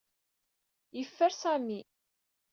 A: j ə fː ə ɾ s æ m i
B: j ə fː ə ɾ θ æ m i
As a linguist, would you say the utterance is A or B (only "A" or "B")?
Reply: A